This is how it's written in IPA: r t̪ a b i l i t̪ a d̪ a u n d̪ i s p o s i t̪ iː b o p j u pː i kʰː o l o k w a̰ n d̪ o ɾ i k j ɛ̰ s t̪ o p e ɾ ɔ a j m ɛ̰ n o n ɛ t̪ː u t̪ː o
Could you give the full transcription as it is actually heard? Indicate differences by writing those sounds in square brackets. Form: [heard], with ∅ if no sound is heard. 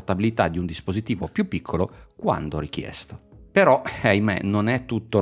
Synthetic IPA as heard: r t̪ a b i l i t̪ a d̪ [i] u n d̪ i s p o [z] i t̪ iː [v] o p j u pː i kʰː o l o k w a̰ n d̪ o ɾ i k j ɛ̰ s t̪ o p e ɾ ɔ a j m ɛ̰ n o n ɛ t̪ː u t̪ː o